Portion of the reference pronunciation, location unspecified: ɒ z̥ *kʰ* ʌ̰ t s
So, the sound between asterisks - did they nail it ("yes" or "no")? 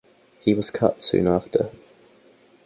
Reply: yes